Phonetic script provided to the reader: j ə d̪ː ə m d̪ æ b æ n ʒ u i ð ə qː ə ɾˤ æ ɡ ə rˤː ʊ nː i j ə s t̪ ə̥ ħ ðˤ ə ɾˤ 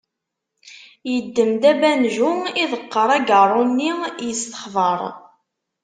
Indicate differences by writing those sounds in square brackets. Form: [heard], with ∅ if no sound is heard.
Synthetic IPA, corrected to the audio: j ə d̪ː ə m d̪ æ b æ n ʒ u i ð ə qː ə ɾˤ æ ɡ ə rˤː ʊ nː i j ə s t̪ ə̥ [χ] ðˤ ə ɾˤ